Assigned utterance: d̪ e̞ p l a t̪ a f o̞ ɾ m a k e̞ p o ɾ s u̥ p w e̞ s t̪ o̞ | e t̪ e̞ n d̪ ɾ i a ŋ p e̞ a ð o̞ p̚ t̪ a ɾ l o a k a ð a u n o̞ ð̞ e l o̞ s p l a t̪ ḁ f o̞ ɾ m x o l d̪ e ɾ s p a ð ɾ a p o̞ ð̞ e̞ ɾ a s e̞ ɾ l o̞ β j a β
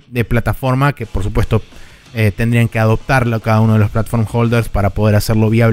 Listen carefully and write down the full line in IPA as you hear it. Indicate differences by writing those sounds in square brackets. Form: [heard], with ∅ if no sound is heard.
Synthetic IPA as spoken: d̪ e̞ p l a t̪ a f o̞ ɾ m a k e̞ p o ɾ s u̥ p w e̞ s t̪ o̞ | e t̪ e̞ n d̪ ɾ i a ŋ [k] e̞ a ð o̞ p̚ t̪ a ɾ l o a k a ð a u n o̞ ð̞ e l o̞ s p l a t̪ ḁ f o̞ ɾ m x o l d̪ e ɾ s p a [∅] ɾ a p o̞ ð̞ e̞ ɾ a s e̞ ɾ l o̞ β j a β